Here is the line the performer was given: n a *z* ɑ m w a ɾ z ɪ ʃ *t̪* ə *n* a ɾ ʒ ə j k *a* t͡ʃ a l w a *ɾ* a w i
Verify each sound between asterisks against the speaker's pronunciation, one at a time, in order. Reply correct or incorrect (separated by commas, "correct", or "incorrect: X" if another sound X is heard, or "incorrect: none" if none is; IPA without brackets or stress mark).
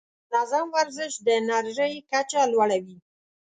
correct, incorrect: d̪, correct, correct, incorrect: ɽ